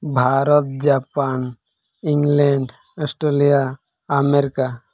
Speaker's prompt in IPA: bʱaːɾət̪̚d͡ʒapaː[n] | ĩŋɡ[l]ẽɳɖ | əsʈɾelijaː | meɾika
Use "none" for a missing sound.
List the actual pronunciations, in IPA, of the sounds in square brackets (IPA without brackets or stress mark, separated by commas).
n, l